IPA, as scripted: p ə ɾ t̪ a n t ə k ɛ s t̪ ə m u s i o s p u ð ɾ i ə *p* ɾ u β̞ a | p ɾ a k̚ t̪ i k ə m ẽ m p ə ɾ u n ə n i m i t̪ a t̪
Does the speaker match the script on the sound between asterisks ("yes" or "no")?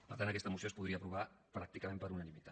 yes